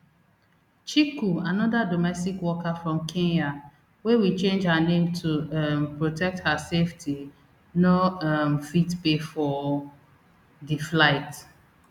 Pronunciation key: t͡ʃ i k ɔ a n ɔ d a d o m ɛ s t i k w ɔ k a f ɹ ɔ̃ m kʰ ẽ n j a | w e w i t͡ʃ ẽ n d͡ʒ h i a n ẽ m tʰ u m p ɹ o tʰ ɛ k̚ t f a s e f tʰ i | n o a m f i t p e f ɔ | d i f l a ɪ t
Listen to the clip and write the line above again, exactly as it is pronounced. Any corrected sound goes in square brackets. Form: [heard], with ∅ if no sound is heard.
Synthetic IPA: t͡ʃ i k [u] a n ɔ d a d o m ɛ s t i k w ɔ k a f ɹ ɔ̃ m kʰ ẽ n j a | w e w i t͡ʃ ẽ n d͡ʒ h [a] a n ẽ m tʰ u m p ɹ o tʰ ɛ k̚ t [h] a s e f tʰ i | n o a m f i t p e f ɔ | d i f l a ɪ t